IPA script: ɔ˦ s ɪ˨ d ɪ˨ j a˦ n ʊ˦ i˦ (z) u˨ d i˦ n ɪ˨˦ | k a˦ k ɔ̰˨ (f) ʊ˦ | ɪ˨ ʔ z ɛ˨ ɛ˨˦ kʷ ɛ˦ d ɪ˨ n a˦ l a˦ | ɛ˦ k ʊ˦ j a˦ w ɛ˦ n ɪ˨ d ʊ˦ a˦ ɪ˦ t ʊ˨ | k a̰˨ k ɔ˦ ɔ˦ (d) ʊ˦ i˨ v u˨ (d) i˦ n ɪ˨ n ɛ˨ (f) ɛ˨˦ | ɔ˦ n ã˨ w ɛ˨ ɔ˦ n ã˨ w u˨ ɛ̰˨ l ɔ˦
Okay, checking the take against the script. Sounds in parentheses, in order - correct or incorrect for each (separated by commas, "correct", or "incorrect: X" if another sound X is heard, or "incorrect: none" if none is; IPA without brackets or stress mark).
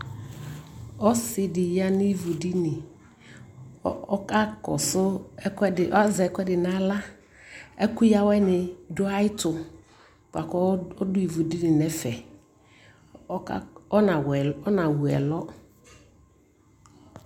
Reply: incorrect: v, incorrect: s, correct, correct, correct